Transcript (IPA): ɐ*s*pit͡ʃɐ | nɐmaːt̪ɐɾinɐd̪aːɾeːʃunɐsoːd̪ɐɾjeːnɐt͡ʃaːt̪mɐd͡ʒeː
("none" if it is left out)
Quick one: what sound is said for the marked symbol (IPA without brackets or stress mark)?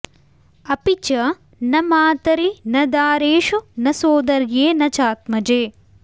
none